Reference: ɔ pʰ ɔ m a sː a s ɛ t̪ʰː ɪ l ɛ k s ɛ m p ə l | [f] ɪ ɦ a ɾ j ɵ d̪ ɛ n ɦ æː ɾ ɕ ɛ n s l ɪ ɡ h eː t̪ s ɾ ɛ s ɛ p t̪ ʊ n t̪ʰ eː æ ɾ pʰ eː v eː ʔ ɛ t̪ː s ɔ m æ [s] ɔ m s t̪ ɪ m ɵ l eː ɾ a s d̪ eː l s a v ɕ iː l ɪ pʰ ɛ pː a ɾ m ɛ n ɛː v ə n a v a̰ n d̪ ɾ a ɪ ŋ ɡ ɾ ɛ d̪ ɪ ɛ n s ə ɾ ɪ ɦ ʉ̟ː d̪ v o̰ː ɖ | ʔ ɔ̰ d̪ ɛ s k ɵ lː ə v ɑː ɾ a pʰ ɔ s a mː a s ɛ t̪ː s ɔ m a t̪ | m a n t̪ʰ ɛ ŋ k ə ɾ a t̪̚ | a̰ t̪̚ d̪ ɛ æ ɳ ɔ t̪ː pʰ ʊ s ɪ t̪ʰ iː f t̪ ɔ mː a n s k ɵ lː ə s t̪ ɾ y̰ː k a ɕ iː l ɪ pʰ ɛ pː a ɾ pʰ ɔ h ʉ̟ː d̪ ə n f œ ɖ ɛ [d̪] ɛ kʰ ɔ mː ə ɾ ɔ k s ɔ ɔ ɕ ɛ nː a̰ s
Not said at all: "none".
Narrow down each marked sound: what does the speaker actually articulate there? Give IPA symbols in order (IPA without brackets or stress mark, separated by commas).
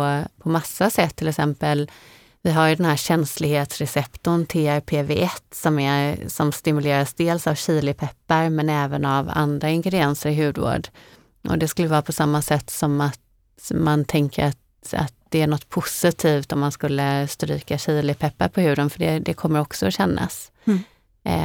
v, s, d̪